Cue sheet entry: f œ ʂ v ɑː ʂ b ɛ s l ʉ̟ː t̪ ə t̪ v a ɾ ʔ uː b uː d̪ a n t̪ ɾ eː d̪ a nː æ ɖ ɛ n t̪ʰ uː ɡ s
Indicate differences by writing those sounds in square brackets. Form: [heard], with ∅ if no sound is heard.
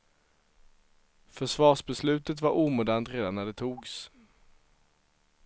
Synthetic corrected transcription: f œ ʂ v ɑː ʂ b ɛ s l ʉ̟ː t̪ ə t̪ v a ɾ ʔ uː [m] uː d̪ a n t̪ ɾ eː d̪ a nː æ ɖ ɛ [∅] t̪ʰ uː ɡ s